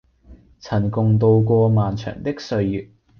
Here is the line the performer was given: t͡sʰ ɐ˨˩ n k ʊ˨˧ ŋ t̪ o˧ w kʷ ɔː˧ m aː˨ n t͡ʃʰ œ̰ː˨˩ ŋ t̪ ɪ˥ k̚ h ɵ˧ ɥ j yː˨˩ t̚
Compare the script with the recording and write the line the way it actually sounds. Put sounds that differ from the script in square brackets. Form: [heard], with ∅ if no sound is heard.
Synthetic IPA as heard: t͡sʰ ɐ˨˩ n k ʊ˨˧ ŋ t̪ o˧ w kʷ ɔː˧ m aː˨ n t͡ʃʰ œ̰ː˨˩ ŋ t̪ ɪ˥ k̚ [s] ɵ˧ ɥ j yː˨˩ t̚